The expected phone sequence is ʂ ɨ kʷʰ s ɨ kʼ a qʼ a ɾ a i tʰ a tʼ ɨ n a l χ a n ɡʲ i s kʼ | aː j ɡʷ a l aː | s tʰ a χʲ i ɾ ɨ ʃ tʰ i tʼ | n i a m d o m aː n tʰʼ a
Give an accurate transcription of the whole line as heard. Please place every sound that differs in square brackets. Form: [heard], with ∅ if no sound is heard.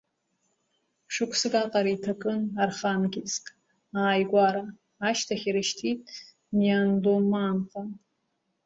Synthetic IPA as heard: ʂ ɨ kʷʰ s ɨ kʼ a qʼ a ɾ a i tʰ a [kʼ] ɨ n a [r] χ a n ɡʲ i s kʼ | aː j ɡʷ a [ɾ] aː | [ʃ] tʰ a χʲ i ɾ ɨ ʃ tʰ i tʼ | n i a [n] d o m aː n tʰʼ a

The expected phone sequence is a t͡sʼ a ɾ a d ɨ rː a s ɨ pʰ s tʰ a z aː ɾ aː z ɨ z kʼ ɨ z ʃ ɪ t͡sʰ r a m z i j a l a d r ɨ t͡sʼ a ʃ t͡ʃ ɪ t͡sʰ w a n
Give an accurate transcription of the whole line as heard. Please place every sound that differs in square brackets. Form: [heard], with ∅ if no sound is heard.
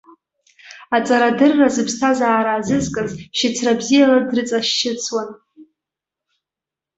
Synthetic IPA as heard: a t͡sʼ a ɾ a d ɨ rː a [z] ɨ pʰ s tʰ a z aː ɾ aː z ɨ z kʼ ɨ z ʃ ɪ t͡sʰ r a [b] z i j a l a d r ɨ t͡sʼ a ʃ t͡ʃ ɪ t͡sʰ w a n

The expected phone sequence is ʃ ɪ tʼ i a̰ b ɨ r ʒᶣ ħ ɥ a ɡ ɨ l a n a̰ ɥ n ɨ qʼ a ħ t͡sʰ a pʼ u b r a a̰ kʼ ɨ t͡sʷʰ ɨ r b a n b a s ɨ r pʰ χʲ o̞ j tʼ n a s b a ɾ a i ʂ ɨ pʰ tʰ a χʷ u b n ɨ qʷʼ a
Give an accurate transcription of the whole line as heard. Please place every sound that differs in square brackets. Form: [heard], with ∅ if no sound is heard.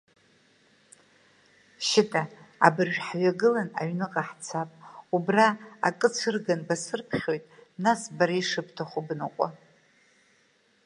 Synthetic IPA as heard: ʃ ɪ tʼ [a] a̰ b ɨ r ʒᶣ ħ ɥ a ɡ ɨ l a n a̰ ɥ n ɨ qʼ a ħ t͡sʰ a pʼ u b r a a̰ kʼ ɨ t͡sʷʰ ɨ r [ɡ] a n b a s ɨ r pʰ χʲ o̞ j tʼ n a s b a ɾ a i ʂ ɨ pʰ tʰ a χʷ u b n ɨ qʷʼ a

